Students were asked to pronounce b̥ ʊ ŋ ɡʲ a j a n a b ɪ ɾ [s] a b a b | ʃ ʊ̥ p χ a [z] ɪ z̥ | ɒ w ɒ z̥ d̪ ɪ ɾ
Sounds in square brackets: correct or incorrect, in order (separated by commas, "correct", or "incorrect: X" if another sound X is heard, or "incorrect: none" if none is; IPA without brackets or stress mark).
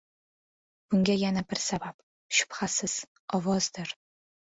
correct, incorrect: s